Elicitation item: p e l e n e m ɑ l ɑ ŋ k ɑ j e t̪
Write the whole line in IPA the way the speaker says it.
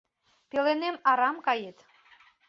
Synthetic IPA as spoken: p e l e n e m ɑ ɾ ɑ m k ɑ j e t̪